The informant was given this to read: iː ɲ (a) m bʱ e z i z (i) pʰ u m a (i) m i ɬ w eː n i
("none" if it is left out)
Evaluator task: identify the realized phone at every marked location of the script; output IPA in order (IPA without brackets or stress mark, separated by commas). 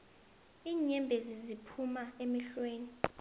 ɛ, i, e